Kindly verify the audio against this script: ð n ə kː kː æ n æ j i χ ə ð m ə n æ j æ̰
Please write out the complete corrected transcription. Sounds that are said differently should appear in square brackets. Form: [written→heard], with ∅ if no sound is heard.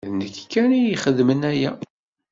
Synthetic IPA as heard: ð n ə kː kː æ n [æ→i] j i χ ə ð m ə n æ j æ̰